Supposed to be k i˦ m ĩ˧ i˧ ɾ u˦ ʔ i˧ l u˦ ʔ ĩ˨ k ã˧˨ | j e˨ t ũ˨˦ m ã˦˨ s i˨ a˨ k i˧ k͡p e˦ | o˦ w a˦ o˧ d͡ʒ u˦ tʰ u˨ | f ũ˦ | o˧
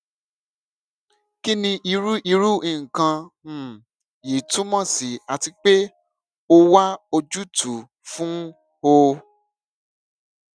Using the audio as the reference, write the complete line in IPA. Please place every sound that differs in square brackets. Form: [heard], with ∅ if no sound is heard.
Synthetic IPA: k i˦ [n] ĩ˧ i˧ ɾ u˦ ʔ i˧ [ɾ] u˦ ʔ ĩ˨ k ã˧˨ | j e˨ t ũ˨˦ m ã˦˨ s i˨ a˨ [t] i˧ k͡p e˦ | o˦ w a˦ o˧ d͡ʒ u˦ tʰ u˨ | f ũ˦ | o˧